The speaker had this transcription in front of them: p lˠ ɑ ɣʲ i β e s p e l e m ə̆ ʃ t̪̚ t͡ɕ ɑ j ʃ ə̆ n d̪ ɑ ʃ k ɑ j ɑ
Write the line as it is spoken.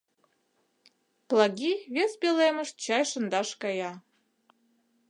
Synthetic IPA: p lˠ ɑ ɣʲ i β e s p e l e m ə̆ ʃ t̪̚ t͡ɕ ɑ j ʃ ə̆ n d̪ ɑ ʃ k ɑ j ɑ